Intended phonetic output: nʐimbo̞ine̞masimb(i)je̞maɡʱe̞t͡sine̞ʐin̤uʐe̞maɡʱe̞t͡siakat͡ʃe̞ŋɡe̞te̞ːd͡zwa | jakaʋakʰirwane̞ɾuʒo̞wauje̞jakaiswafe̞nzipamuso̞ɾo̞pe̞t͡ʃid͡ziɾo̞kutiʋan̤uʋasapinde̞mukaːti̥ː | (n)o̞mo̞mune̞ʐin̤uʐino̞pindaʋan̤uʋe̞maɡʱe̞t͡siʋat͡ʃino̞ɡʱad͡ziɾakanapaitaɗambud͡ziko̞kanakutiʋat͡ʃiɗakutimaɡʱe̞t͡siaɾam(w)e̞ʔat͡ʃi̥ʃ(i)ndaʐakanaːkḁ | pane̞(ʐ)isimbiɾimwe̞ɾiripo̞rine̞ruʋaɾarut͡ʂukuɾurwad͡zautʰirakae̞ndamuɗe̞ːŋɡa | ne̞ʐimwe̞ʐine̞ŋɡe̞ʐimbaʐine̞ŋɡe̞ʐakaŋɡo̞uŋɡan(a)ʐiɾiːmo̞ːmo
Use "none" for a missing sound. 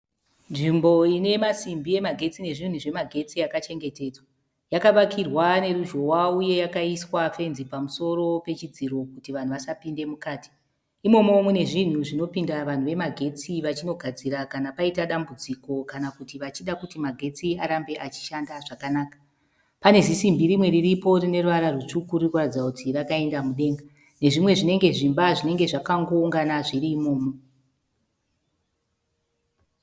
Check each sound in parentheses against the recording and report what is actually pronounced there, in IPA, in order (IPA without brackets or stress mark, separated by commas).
i, m, b, a, z, a